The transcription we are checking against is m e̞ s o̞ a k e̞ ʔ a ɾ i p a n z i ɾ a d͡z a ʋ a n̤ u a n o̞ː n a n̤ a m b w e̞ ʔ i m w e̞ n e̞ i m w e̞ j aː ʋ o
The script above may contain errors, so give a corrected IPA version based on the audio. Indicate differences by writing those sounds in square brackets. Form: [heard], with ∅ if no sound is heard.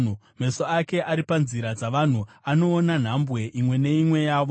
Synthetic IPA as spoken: m e̞ s o̞ a k e̞ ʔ a ɾ i p a n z i ɾ a d͡z a ʋ a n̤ u a n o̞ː n a n̤ a m b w e̞ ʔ i m w e̞ n e̞ i m w e̞ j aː ʋ o